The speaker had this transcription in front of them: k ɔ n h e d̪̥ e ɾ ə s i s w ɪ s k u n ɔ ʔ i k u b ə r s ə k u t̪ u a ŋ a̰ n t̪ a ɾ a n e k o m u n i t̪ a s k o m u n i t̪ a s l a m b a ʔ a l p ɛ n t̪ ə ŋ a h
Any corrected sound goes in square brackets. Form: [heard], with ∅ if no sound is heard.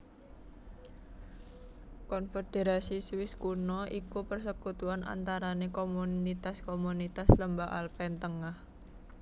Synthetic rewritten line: k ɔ n [f] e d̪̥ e ɾ [a] s i s w ɪ s k u n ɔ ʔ i k u [p] ə r s ə k u t̪ u a [n] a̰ n t̪ a ɾ a n e k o m u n i t̪ a s k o m u n i t̪ a s l [ə] m b a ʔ a l p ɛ n t̪ ə ŋ a h